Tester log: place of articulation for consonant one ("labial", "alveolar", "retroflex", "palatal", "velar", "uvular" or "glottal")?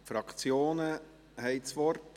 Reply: labial